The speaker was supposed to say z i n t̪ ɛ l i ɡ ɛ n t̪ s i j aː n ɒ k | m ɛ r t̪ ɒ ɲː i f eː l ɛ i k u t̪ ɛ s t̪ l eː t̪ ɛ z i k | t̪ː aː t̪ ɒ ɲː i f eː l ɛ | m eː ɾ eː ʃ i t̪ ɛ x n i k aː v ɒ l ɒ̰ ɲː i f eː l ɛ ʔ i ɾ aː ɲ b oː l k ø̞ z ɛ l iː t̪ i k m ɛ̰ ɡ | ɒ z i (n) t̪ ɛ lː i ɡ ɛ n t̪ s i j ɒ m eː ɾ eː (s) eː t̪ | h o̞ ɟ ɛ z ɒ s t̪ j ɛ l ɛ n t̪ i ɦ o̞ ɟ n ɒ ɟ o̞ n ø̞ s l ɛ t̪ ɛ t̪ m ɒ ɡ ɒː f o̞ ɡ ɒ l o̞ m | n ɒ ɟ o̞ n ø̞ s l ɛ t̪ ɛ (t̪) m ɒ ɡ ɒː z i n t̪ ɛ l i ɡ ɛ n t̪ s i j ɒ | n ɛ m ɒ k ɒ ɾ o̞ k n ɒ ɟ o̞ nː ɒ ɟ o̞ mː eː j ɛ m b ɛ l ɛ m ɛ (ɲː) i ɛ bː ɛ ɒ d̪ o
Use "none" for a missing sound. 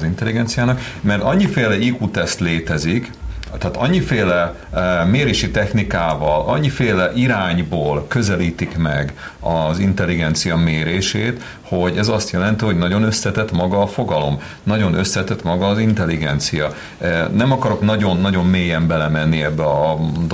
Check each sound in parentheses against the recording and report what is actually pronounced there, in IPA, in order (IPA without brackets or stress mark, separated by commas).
n, ʃ, t̪, nː